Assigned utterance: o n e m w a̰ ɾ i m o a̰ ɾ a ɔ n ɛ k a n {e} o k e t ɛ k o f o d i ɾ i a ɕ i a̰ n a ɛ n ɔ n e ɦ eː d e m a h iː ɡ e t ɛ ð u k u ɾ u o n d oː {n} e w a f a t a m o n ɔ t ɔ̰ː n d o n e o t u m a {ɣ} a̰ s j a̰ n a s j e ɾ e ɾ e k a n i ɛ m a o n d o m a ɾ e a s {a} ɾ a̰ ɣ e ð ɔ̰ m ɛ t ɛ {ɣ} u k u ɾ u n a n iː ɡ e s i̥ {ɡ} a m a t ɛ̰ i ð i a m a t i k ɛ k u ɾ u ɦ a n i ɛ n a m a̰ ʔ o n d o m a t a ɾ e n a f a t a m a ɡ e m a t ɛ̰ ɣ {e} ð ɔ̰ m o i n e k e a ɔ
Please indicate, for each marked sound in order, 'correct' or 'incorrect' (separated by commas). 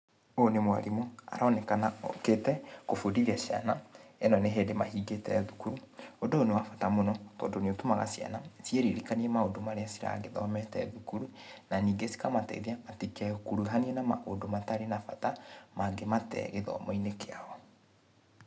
incorrect, correct, correct, incorrect, incorrect, incorrect, correct